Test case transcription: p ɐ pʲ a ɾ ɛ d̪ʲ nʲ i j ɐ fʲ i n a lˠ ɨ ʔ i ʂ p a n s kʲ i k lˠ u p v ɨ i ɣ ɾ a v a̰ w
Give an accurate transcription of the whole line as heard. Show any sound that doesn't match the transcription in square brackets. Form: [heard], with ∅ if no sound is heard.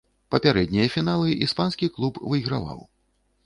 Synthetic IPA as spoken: p ɐ pʲ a ɾ ɛ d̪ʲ nʲ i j ɐ fʲ i n a lˠ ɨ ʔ i [s] p a n s kʲ i k lˠ u p v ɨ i ɣ ɾ a v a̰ w

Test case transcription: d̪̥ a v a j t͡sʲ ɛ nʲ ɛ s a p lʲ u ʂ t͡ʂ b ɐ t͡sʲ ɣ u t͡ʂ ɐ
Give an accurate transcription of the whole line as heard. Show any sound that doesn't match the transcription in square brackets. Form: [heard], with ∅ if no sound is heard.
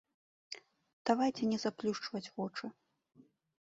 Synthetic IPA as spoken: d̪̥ a v a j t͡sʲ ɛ nʲ ɛ [z] a p lʲ u ʂ t͡ʂ [v] ɐ t͡sʲ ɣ [ɔ] t͡ʂ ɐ

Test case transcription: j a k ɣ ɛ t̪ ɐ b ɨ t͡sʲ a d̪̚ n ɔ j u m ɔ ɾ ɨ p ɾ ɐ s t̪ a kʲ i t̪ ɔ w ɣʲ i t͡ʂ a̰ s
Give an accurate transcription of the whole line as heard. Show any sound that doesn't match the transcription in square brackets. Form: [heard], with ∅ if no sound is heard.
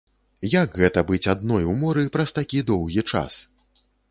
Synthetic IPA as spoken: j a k ɣ ɛ t̪ ɐ b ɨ t͡sʲ a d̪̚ n ɔ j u m ɔ ɾ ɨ p ɾ ɐ s t̪ a kʲ i [d̪] ɔ w ɣʲ i t͡ʂ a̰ s

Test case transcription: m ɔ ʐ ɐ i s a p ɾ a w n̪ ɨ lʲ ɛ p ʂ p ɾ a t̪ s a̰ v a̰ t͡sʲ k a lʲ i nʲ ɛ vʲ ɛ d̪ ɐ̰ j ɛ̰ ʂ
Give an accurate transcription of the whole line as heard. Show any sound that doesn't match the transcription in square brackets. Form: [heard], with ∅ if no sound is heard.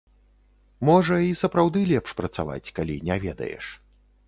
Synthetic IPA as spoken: m ɔ ʐ ɐ i s [ɐ] p ɾ a w [d̪] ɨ lʲ ɛ p ʂ p ɾ [ɐ] t̪ s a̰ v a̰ t͡sʲ k a lʲ i nʲ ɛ vʲ ɛ d̪ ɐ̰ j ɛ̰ ʂ

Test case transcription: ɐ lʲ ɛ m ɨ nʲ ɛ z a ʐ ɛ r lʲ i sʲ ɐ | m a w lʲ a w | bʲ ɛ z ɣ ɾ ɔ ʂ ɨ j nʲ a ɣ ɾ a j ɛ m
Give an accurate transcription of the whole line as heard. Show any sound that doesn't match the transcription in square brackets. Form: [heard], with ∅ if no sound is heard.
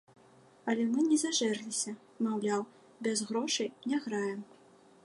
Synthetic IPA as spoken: ɐ lʲ ɛ m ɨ nʲ ɛ z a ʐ ɛ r lʲ i sʲ ɐ | m a w lʲ a w | bʲ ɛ z ɣ ɾ ɔ ʂ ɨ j nʲ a ɣ ɾ a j ɛ m

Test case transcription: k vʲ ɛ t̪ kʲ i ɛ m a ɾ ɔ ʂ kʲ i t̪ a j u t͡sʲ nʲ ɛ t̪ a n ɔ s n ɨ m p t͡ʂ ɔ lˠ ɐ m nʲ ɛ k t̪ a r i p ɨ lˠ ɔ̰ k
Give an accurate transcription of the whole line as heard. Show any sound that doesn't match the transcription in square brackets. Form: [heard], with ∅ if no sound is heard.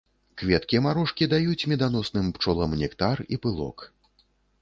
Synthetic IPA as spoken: k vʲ ɛ t̪ kʲ i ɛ m a ɾ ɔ ʂ kʲ i [d̪] a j u t͡sʲ [mʲ] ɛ [d̪] a n ɔ s n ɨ m p t͡ʂ ɔ lˠ ɐ m nʲ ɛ k t̪ a r i p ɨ lˠ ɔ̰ k

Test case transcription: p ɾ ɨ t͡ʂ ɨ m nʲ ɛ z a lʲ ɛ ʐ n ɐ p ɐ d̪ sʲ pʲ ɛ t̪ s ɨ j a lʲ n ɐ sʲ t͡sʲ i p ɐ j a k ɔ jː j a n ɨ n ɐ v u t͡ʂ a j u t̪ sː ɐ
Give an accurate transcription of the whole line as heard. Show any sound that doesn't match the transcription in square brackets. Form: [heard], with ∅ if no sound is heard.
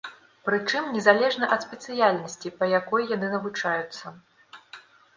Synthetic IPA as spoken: p ɾ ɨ t͡ʂ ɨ m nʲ ɛ z a lʲ ɛ ʐ n ɐ [ʔ] ɐ [t̪] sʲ pʲ ɛ t̪ s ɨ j a lʲ n ɐ sʲ t͡sʲ i p ɐ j a k ɔ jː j a n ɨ n ɐ v u t͡ʂ a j u t̪ sː ɐ

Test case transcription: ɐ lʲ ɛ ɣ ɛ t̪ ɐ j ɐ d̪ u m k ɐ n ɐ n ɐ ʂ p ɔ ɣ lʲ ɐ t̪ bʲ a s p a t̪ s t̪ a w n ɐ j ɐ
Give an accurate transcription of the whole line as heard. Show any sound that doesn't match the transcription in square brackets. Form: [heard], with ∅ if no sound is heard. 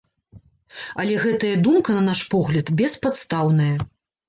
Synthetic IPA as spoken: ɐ lʲ ɛ ɣ ɛ t̪ ɐ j ɐ d̪ u m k ɐ n ɐ n [a] ʂ p ɔ ɣ lʲ ɐ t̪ bʲ [ɛ] s p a t̪ s t̪ a w n ɐ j ɐ

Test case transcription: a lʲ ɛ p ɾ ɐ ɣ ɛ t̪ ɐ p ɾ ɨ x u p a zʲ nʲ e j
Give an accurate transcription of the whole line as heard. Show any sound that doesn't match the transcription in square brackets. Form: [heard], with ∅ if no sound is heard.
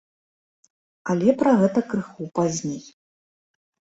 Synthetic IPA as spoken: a lʲ ɛ p ɾ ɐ ɣ ɛ t̪ ɐ [k] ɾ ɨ x u p a zʲ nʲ e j

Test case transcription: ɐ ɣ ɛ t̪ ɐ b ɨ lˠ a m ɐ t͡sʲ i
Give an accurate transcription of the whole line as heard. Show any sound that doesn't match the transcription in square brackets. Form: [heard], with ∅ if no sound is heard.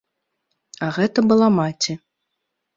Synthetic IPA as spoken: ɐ ɣ ɛ t̪ ɐ b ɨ lˠ a m [a] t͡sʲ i

